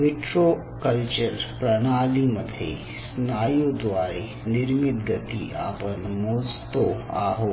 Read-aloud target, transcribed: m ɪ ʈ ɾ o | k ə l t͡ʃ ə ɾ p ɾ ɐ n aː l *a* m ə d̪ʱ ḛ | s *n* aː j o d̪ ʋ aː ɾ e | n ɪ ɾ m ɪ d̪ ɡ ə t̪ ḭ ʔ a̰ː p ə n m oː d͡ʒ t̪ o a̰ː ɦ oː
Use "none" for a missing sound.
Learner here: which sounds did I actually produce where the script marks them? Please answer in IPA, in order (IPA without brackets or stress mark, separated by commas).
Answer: i, n